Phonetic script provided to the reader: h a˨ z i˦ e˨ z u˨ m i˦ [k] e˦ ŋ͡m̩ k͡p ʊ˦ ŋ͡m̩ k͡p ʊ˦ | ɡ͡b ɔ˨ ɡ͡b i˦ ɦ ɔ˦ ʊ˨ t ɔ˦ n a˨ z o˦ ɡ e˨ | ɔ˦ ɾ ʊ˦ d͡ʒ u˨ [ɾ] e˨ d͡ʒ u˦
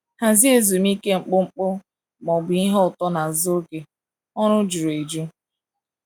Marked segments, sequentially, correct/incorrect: correct, correct

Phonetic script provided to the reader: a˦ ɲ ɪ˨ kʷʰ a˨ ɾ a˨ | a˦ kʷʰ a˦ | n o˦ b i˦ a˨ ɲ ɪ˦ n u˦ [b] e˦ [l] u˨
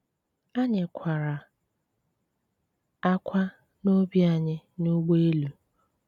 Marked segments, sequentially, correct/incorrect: incorrect, correct

